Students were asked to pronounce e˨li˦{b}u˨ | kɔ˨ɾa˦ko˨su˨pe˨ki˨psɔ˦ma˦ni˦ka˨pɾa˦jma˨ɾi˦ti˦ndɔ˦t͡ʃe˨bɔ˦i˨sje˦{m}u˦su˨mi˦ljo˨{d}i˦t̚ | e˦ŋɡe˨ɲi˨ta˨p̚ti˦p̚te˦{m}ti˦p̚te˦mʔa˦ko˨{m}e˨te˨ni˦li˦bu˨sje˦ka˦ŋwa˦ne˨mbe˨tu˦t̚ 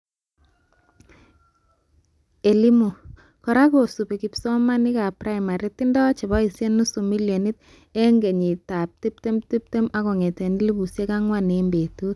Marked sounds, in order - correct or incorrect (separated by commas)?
incorrect, incorrect, incorrect, correct, incorrect